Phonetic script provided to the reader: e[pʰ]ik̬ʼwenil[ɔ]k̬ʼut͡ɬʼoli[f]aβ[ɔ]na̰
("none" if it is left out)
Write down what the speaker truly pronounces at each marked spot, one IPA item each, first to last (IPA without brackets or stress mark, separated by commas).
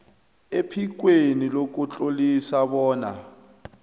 pʰ, o, s, ɔː